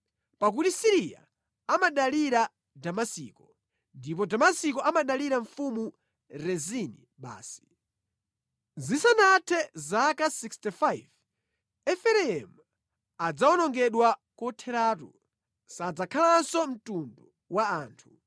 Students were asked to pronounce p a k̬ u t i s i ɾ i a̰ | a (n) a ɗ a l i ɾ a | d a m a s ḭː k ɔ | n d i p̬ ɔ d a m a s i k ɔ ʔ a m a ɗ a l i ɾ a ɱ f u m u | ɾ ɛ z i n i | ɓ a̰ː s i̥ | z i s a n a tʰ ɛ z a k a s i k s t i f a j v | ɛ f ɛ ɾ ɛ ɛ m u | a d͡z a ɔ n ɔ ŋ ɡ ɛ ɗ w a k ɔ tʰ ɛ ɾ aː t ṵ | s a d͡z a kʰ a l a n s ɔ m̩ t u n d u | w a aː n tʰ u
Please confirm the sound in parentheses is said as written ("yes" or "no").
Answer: no